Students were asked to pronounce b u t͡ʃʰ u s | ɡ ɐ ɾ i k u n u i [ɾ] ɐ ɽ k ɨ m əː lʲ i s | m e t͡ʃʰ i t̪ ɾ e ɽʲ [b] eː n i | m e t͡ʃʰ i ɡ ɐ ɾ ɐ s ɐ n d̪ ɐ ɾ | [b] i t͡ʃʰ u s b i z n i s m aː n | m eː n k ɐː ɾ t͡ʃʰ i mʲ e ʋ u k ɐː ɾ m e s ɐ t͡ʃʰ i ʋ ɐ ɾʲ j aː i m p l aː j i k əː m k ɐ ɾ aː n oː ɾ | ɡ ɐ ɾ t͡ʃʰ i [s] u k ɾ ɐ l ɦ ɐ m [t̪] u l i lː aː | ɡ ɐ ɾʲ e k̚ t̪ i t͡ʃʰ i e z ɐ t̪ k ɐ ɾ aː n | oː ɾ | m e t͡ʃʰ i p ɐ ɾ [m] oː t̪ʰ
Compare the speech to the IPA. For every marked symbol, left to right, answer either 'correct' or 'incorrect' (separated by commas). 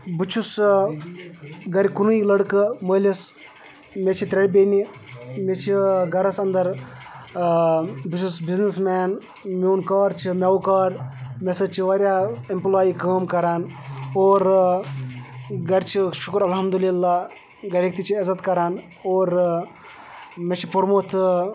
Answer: incorrect, correct, correct, incorrect, incorrect, correct